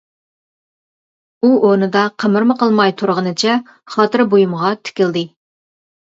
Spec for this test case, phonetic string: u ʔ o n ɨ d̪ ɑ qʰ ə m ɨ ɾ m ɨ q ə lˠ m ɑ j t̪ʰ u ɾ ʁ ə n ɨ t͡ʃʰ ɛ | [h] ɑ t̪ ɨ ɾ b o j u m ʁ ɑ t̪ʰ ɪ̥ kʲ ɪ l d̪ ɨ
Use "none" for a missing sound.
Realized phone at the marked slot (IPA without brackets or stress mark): χ